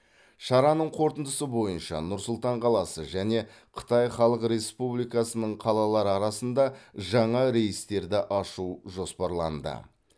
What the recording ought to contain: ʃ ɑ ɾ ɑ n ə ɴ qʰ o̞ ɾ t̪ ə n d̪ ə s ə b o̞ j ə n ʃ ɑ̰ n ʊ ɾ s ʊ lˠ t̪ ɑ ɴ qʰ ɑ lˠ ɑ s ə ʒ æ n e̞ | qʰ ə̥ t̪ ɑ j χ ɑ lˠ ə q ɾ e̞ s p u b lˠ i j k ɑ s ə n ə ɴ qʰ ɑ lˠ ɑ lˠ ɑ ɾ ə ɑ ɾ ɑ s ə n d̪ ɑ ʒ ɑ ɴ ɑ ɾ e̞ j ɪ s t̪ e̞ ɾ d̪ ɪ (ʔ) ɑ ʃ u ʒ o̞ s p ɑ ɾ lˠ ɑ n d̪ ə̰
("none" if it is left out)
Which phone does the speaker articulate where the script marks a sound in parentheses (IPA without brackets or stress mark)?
ʔ